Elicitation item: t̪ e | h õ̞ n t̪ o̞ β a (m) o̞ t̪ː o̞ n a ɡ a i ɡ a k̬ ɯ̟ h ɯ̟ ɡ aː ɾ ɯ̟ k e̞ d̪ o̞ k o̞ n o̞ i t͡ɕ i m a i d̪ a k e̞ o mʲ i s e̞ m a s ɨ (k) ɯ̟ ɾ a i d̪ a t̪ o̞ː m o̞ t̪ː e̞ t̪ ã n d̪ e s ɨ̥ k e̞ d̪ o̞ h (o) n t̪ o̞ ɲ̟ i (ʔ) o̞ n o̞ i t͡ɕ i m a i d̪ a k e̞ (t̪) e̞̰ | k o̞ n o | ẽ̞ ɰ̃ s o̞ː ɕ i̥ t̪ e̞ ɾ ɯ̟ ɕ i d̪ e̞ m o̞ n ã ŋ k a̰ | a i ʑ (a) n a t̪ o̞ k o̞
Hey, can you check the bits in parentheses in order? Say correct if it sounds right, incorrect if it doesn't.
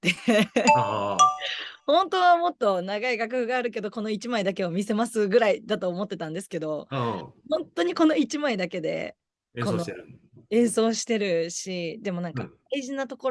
correct, incorrect: ɡ, incorrect: õ, incorrect: k, incorrect: d̪, incorrect: i

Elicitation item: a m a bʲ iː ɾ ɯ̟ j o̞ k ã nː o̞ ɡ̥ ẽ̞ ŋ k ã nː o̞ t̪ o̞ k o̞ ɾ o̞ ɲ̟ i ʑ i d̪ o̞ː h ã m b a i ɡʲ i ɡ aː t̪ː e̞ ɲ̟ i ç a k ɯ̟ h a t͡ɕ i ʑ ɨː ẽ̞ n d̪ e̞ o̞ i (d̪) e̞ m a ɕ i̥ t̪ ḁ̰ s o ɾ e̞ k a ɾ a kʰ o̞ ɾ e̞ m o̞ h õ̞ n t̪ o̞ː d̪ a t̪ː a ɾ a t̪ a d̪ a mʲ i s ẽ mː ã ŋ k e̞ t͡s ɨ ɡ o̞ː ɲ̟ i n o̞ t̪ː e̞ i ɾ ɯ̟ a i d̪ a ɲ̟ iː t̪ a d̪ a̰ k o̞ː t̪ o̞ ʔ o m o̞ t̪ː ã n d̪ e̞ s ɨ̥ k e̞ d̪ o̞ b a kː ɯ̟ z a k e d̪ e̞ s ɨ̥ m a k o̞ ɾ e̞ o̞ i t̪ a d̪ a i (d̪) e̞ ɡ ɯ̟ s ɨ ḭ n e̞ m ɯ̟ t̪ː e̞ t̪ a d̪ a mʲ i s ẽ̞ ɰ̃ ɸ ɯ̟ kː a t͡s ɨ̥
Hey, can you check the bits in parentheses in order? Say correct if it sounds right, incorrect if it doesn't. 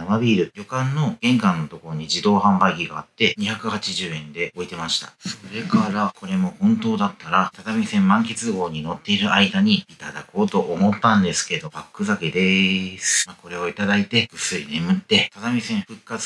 incorrect: t̪, incorrect: t̪

